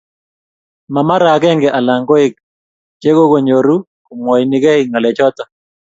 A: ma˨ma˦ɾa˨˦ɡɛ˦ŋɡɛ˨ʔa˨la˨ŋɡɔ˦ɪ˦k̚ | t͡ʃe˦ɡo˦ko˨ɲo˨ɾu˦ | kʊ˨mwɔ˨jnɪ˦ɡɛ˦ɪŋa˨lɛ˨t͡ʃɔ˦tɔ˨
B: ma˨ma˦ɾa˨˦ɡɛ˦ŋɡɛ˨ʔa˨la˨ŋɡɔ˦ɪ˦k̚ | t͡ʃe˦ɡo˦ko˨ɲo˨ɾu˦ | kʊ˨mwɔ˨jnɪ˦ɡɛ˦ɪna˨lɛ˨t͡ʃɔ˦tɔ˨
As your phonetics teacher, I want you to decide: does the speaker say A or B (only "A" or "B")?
A